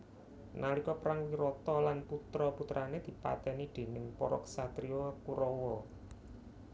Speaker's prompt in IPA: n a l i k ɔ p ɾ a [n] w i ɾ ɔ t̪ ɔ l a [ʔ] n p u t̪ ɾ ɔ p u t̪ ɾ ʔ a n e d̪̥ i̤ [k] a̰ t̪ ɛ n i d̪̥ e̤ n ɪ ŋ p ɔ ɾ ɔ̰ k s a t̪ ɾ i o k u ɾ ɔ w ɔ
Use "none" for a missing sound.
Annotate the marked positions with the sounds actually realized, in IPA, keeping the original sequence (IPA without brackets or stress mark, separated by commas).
ŋ, none, p